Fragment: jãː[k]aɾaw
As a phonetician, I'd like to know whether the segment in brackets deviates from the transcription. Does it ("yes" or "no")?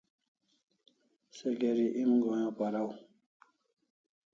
yes